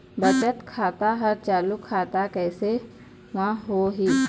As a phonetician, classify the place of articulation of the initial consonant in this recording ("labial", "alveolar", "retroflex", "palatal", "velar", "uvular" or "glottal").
labial